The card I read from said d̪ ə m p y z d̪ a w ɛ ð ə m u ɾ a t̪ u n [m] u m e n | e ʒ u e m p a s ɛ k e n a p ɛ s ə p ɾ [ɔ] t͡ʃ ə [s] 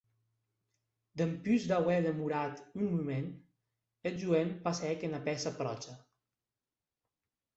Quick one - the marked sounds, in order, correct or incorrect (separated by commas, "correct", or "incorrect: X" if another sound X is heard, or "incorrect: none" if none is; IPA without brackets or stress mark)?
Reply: correct, correct, incorrect: none